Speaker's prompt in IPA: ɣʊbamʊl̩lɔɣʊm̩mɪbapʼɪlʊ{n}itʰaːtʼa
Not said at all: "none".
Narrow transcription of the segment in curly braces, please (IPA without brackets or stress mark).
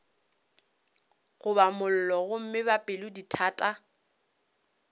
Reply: d